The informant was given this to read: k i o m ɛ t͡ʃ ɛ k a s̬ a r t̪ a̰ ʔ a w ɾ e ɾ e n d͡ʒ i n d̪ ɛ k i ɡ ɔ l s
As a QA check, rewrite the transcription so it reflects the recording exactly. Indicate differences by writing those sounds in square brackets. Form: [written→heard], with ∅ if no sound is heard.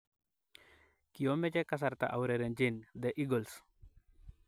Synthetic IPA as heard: k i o m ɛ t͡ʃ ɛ k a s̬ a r t̪ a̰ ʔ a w ɾ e ɾ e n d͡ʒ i n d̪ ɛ [k→ʔ] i ɡ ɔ l s